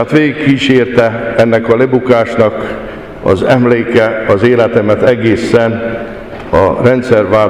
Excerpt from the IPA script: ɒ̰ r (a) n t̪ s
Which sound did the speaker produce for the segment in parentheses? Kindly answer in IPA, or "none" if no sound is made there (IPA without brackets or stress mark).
ɛ